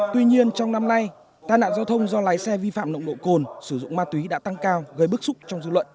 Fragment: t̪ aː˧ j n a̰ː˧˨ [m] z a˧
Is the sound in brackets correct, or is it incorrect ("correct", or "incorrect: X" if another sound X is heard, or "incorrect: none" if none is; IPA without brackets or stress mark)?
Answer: incorrect: n